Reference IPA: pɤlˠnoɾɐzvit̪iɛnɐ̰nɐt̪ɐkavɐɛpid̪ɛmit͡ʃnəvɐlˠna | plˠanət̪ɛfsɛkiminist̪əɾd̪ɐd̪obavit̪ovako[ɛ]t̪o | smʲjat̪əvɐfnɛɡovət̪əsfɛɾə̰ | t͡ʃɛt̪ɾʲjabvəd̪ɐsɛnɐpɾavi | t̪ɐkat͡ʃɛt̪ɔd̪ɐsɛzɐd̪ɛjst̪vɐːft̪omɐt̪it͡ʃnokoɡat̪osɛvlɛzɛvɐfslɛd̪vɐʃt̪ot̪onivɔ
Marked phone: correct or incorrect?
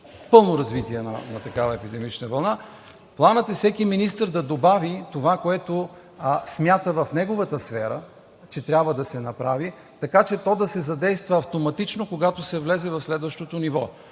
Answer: correct